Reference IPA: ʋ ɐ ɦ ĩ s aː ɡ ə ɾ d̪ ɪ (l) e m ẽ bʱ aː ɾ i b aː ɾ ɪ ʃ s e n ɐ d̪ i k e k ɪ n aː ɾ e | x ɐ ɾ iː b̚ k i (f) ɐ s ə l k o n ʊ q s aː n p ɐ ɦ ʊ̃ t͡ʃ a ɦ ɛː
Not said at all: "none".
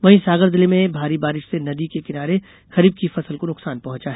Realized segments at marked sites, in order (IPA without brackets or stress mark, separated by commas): l, f